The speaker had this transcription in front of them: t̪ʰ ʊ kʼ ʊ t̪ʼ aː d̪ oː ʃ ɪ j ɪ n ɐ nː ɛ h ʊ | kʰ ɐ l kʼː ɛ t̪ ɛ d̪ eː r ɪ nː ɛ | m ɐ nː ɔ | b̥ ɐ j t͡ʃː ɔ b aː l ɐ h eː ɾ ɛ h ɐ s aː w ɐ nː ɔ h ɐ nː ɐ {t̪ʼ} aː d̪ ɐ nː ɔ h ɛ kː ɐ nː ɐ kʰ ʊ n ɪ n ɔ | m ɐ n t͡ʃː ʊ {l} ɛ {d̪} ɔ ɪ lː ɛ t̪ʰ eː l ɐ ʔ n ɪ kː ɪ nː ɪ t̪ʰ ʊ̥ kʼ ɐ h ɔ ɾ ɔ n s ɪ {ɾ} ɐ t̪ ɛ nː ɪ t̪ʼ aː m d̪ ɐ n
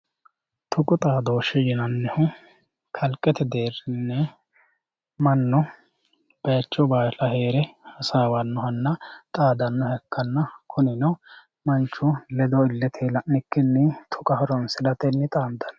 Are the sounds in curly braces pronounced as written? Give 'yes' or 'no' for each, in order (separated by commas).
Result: yes, yes, yes, no